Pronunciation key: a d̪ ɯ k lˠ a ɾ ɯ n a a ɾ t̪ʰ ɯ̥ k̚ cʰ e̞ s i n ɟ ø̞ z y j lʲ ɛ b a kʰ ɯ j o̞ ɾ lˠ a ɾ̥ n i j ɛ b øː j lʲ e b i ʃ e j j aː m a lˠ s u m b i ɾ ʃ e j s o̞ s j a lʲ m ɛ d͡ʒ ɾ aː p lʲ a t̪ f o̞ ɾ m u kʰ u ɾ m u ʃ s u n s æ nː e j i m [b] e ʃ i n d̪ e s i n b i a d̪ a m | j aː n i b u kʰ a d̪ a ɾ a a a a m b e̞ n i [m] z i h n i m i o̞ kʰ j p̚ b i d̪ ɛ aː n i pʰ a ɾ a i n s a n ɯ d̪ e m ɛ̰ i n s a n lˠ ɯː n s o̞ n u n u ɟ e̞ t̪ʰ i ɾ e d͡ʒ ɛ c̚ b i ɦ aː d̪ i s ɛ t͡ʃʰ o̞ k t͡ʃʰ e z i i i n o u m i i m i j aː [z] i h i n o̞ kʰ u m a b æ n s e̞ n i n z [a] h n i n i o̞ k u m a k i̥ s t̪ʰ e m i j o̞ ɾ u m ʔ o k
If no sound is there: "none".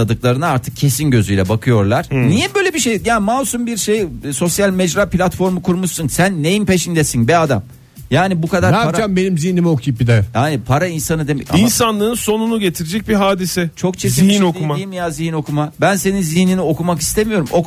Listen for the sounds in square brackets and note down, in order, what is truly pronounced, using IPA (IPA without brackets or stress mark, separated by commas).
p, m, z, i